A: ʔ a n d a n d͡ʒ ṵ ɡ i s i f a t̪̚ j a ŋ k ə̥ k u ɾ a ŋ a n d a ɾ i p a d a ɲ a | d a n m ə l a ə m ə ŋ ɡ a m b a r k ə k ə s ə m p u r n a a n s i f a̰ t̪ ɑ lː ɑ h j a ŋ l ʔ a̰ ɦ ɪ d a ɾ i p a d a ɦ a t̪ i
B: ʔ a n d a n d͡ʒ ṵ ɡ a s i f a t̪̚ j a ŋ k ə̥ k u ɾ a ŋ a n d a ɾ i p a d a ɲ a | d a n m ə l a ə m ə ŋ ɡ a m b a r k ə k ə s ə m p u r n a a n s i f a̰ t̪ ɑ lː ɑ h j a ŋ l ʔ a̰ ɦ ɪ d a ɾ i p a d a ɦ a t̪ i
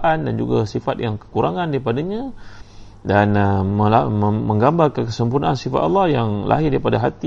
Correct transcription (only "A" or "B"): B